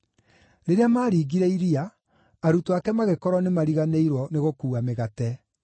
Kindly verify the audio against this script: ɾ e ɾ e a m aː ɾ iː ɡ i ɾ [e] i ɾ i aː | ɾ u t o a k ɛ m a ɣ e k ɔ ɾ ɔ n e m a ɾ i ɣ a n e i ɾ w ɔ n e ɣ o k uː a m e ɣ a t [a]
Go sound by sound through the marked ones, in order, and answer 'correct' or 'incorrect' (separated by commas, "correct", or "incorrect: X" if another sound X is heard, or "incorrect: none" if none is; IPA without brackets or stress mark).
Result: incorrect: ɛ, incorrect: ɛ